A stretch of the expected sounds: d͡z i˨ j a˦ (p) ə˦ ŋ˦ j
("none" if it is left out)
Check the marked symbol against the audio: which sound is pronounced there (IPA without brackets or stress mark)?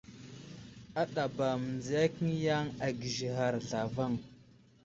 k